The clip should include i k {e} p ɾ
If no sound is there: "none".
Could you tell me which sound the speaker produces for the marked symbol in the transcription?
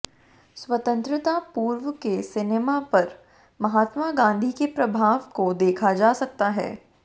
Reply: e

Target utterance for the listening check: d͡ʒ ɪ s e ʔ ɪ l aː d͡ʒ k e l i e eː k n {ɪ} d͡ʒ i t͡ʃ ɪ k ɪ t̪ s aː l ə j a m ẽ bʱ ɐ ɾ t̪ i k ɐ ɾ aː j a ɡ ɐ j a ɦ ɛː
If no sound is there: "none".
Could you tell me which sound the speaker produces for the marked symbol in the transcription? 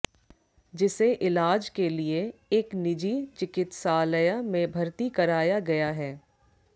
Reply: ɪ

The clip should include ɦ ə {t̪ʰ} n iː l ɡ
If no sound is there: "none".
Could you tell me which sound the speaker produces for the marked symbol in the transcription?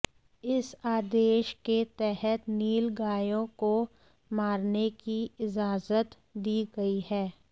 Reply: t̪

